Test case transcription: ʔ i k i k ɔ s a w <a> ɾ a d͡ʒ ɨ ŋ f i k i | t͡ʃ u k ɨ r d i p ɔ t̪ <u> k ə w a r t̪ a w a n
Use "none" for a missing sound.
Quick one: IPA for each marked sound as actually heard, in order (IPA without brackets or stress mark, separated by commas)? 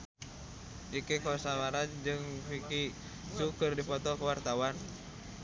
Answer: a, ɔ